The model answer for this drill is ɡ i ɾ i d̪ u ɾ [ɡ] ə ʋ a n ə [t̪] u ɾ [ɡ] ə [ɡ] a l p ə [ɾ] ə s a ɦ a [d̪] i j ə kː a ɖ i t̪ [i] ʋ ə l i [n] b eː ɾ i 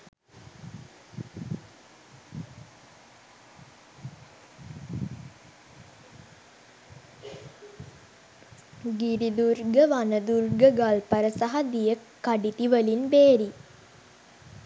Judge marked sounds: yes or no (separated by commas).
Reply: yes, no, yes, yes, yes, yes, yes, yes